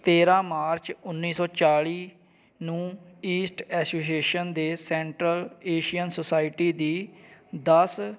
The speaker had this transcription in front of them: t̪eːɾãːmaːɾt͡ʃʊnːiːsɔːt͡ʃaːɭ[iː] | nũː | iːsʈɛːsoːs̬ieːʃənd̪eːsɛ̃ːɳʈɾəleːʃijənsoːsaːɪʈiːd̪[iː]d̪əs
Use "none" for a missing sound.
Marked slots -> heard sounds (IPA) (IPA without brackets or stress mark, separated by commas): iː, iː